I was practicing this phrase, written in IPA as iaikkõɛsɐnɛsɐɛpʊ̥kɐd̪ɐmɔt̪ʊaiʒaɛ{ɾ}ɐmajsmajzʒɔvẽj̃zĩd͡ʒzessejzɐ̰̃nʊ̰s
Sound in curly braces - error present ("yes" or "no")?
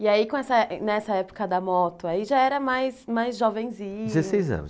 no